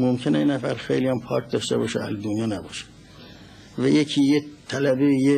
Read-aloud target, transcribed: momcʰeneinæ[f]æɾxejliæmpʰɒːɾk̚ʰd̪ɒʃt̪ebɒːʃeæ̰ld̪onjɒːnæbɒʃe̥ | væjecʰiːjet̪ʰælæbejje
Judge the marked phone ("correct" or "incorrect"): correct